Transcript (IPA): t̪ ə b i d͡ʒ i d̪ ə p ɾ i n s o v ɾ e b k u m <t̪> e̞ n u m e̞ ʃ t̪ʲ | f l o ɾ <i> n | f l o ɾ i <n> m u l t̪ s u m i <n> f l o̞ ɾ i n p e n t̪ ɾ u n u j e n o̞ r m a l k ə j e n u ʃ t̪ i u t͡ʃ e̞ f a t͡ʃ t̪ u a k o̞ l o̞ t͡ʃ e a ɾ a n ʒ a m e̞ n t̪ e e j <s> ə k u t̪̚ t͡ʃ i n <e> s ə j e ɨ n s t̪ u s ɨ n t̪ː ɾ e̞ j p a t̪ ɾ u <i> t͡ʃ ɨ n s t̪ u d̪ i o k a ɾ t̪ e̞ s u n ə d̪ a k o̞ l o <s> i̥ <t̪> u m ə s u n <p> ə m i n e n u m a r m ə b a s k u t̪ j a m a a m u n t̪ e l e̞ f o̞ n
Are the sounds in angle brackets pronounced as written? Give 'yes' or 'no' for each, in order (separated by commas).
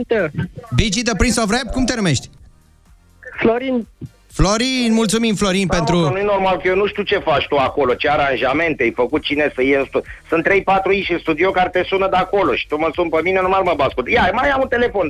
yes, yes, yes, no, no, yes, yes, no, yes, yes